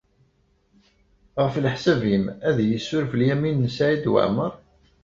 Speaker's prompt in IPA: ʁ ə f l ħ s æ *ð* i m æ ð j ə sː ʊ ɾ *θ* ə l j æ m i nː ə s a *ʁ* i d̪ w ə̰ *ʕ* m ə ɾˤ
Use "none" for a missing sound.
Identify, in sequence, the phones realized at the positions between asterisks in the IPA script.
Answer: v, f, ʕ, ʕ

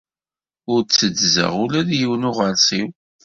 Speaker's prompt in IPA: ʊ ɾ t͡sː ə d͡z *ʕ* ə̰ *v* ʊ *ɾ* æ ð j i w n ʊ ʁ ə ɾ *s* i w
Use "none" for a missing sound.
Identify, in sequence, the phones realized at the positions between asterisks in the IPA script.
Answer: z, ʁ, l, s

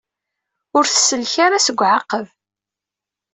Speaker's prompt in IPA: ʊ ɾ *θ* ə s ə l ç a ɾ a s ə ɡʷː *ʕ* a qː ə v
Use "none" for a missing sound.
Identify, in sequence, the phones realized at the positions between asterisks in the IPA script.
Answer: θ, ʕ

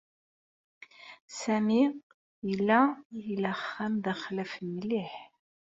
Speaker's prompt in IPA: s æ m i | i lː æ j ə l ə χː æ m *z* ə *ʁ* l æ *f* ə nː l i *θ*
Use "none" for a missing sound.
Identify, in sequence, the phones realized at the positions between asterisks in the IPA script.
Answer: ð, χ, f, ħ

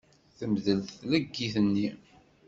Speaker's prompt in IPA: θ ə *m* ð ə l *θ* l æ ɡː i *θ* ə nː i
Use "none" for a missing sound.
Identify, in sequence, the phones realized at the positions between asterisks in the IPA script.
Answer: m, θ, θ

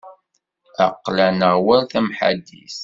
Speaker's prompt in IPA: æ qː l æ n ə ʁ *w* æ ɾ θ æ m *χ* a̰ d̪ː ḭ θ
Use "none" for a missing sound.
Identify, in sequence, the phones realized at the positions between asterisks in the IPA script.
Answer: w, ħ

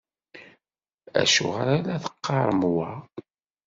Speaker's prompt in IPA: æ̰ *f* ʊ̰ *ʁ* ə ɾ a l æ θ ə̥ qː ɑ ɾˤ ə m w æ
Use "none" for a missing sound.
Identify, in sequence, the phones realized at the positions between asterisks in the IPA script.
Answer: ʃ, ʁ

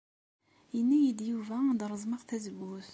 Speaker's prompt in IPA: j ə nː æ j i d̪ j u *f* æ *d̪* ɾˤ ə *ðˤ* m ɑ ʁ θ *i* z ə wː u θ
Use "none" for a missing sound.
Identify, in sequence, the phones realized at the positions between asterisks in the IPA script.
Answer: v, d̪, zˤ, æ

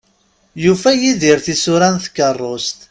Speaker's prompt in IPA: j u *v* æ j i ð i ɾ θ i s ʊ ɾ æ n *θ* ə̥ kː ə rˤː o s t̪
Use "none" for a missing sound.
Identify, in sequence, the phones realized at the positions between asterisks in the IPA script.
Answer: f, θ

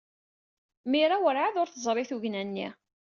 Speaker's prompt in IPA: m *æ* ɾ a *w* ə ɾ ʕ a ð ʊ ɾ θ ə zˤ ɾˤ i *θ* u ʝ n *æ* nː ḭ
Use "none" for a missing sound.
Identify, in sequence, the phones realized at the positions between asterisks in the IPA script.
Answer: i, w, θ, æ

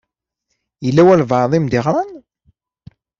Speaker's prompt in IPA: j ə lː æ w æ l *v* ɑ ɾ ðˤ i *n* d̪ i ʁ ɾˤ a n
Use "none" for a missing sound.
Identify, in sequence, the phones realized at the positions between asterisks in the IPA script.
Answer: v, m

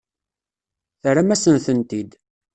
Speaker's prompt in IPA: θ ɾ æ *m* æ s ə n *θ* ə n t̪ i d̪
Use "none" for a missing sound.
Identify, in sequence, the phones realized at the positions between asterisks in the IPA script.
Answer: m, θ

